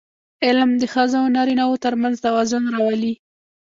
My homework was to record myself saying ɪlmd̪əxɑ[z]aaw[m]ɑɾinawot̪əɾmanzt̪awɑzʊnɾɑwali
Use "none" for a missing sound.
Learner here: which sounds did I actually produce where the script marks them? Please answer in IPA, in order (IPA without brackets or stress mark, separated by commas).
z, n